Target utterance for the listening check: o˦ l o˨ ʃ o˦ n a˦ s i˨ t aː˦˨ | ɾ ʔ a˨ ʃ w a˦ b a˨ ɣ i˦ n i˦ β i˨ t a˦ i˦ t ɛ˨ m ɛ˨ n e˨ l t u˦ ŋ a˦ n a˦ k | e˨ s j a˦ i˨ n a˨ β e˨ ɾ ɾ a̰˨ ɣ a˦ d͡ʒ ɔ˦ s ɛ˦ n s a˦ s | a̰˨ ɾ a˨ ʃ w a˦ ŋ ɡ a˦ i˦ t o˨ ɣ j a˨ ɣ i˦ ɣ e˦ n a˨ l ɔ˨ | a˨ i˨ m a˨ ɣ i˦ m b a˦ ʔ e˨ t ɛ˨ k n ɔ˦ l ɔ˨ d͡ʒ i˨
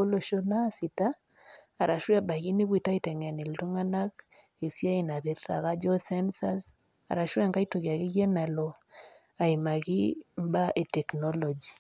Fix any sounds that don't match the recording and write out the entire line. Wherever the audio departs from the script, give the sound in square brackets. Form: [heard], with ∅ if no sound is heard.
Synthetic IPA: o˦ l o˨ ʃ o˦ n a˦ s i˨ t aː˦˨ | ɾ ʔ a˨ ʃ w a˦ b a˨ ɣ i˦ n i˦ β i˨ t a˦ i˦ t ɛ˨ [ŋ] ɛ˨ n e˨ l t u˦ ŋ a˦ n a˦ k | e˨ s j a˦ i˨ n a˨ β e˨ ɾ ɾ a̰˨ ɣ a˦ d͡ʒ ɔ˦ s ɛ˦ n s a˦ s | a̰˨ ɾ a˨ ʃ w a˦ ŋ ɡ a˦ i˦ t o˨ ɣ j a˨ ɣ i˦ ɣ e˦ n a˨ l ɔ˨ | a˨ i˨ m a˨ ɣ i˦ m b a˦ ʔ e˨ t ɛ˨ k n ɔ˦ l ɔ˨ d͡ʒ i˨

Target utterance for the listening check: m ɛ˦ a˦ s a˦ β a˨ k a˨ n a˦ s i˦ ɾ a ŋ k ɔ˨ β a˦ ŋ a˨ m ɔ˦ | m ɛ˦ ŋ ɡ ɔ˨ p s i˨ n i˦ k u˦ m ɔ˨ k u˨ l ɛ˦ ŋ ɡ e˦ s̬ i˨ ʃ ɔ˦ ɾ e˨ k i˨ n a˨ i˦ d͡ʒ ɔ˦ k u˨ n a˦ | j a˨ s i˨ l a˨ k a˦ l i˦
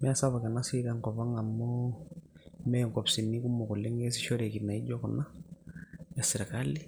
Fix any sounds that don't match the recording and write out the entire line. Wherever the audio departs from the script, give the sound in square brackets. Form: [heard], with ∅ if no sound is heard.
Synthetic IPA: m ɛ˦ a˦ s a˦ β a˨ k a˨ n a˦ s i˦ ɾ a ŋ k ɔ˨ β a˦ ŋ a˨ m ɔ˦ | m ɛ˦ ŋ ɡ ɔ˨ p s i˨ n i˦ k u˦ m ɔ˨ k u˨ l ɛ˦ ŋ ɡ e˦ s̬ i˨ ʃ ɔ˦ ɾ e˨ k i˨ n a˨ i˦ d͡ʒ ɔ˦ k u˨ n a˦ | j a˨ s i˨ [ɾ] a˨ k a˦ l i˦

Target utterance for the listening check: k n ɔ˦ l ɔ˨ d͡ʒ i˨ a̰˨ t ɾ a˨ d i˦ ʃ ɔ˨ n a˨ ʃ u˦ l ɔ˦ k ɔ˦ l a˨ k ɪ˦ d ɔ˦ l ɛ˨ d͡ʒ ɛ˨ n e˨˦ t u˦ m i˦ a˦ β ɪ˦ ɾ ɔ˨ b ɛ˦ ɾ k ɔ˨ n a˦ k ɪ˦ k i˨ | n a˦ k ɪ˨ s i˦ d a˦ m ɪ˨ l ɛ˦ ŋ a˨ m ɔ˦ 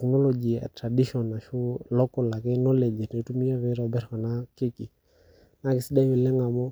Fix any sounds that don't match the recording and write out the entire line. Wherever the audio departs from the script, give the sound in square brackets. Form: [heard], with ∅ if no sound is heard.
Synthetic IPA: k n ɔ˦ l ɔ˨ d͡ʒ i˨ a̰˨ t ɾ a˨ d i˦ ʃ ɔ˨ n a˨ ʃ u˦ l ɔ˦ k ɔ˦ l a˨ k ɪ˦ [n] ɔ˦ l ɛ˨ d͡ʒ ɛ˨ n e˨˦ t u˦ m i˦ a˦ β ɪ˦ ɾ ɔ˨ b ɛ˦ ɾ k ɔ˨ n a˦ k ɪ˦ k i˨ | n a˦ k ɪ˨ s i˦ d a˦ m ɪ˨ l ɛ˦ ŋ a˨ m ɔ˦

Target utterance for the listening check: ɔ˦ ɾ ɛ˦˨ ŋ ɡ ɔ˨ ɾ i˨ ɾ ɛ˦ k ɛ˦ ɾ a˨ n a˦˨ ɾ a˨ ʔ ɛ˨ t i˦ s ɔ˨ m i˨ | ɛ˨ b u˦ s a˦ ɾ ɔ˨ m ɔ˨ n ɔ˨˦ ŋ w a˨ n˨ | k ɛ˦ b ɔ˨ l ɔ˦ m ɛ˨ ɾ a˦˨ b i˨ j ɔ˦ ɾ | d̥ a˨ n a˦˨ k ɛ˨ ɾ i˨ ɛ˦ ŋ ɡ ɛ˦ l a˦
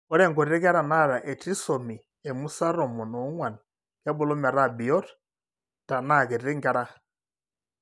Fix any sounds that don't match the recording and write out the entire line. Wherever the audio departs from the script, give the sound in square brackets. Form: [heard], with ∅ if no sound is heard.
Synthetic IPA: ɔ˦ ɾ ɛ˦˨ ŋ ɡ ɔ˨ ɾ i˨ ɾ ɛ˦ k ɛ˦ ɾ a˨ n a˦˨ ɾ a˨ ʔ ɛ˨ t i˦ s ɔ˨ m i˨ | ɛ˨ [m] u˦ s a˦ ɾ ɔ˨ m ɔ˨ n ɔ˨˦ ŋ w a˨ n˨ | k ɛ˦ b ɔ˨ l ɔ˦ m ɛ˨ ɾ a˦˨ b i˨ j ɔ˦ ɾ | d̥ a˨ n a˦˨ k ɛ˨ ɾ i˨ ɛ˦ ŋ ɡ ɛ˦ [ɾ] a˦

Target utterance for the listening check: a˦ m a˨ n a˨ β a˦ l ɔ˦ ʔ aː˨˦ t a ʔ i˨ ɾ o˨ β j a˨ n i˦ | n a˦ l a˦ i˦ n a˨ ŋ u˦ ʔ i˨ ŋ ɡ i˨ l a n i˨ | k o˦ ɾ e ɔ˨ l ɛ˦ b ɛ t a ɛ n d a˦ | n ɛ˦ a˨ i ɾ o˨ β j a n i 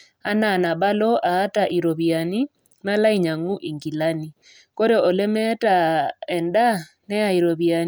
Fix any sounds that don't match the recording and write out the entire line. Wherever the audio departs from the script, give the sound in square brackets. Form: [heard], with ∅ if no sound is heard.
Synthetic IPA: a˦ [n] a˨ n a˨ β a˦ l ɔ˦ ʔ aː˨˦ t a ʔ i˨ ɾ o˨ β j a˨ n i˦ | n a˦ l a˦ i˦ [ɲ] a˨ ŋ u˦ ʔ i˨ ŋ ɡ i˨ l a n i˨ | k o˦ ɾ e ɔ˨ l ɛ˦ [m] ɛ t a ɛ n d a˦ | n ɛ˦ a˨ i ɾ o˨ β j a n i

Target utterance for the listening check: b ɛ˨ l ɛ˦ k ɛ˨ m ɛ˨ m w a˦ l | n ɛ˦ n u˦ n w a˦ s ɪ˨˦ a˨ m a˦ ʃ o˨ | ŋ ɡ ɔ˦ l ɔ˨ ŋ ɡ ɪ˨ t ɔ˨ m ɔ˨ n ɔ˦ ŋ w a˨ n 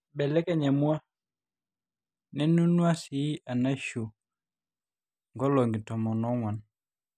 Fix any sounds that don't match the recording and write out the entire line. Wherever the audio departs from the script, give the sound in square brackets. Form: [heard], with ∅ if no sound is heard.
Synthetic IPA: b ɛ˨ l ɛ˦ k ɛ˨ [ɲ] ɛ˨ m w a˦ [∅] | n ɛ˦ n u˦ n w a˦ s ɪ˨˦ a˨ [n] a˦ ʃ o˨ | ŋ ɡ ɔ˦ l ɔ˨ ŋ ɡ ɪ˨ t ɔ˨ m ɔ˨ n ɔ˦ ŋ w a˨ n

